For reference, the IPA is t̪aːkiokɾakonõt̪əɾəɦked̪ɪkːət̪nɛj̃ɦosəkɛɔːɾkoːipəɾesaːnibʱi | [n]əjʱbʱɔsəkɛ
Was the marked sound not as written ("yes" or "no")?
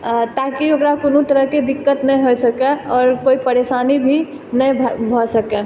no